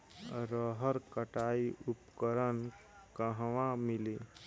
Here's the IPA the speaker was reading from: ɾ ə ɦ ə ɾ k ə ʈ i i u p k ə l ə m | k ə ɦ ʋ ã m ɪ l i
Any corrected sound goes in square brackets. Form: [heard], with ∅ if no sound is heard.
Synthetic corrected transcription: ɾ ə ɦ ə ɾ k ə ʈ [a] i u p k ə [ɾ] ə [n] | k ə ɦ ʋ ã m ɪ l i